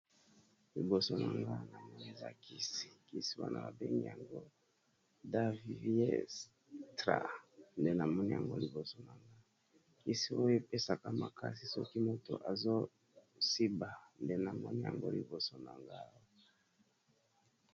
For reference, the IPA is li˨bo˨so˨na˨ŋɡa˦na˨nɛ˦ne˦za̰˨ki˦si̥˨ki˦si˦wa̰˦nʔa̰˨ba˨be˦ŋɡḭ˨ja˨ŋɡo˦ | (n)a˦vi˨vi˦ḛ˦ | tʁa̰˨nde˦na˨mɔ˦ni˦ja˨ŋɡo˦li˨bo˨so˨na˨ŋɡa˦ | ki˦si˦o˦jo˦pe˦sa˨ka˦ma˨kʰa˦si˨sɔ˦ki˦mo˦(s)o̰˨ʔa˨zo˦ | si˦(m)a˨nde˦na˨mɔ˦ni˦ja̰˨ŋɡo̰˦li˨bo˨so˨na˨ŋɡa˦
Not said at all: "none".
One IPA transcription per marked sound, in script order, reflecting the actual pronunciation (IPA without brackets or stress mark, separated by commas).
d, t, b